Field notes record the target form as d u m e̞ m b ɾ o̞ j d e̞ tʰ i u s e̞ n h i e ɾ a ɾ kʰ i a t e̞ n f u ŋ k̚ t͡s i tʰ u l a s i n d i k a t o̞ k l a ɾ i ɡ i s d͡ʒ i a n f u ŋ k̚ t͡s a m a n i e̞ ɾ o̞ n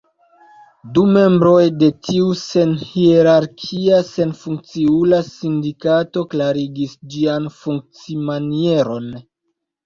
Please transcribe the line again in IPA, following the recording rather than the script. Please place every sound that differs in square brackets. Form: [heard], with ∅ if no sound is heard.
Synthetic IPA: d u m e̞ m b ɾ o̞ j d e̞ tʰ i u s e̞ n h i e ɾ a ɾ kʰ i a [s] e̞ n f u ŋ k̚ t͡s i [∅] u l a s i n d i k a t o̞ k l a ɾ i ɡ i s d͡ʒ i a n f u ŋ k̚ t͡s [i] m a n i e̞ ɾ o̞ n